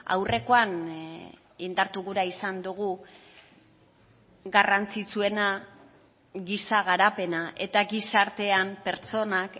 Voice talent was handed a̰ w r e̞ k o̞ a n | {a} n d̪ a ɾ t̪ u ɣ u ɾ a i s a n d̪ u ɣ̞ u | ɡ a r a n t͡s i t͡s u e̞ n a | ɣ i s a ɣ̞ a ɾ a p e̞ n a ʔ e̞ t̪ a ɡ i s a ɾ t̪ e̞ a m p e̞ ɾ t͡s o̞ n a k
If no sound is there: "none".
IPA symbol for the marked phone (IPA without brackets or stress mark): i